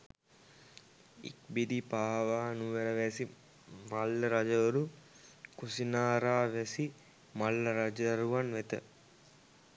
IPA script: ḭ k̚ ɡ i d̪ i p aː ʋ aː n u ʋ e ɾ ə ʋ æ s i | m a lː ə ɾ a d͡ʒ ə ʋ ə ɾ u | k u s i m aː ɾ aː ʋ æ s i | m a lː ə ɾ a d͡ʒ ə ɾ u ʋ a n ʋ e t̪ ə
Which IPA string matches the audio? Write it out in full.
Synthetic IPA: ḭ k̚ b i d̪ i p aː ʋ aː n u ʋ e ɾ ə ʋ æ s i | m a lː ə ɾ a d͡ʒ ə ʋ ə ɾ u | k u s i n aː ɾ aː ʋ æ s i | m a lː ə ɾ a d͡ʒ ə ɾ u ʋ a n ʋ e t̪ ə